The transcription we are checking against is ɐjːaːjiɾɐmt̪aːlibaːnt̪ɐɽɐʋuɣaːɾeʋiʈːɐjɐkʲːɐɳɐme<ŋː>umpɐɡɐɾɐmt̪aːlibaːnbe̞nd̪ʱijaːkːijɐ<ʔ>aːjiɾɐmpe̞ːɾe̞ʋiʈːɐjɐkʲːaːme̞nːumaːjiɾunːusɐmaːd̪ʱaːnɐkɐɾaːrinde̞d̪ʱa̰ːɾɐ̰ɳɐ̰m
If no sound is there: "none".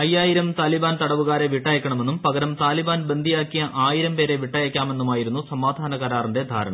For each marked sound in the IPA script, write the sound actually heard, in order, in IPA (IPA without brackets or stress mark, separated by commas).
nː, ʔ